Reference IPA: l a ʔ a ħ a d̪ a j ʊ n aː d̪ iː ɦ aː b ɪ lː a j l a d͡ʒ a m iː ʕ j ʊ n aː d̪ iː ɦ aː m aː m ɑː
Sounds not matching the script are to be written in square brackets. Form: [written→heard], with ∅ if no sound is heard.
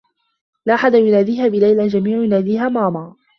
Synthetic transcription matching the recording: l a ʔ a ħ a d̪ a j ʊ n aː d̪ iː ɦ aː b ɪ [lː→l] a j l a d͡ʒ a m iː ʕ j ʊ n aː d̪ iː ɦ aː m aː m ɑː